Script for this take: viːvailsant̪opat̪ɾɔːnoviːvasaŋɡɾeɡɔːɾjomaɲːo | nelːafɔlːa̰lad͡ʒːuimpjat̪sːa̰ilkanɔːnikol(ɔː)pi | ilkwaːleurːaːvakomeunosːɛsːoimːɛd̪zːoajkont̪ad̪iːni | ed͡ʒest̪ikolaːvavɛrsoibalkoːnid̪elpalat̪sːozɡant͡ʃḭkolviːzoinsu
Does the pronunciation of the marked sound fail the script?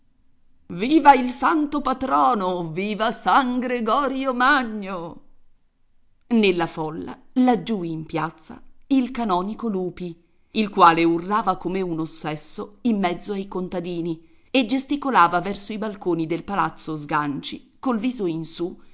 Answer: yes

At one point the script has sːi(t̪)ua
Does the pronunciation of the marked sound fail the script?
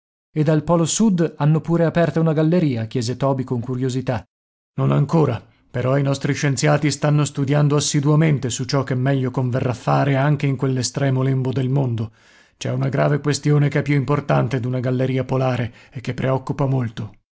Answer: yes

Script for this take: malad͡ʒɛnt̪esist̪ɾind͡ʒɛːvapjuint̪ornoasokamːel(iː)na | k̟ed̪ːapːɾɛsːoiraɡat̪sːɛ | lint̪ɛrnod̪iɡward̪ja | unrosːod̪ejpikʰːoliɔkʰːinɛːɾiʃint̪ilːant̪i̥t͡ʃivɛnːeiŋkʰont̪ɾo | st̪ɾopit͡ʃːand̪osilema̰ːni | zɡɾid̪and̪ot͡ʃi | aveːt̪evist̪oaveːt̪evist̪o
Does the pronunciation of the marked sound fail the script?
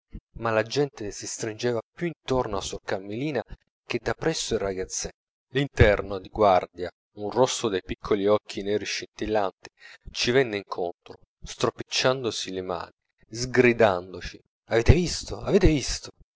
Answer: no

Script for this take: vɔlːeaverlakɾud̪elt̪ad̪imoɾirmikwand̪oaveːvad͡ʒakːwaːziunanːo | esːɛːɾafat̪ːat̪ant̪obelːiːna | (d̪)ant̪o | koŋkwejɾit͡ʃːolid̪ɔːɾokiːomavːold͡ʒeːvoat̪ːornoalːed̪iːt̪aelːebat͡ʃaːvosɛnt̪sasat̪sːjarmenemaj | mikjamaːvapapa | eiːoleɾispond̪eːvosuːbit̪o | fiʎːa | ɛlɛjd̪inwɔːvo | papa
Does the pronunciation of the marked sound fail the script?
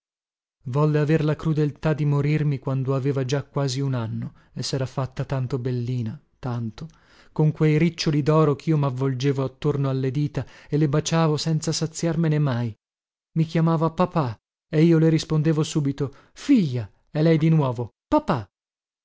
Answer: yes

